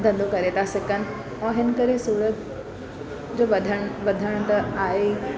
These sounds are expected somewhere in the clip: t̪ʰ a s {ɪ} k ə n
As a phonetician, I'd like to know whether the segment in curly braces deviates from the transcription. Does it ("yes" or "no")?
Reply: no